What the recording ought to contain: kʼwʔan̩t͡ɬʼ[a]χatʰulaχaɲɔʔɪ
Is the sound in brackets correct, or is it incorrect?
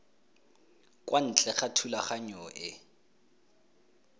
incorrect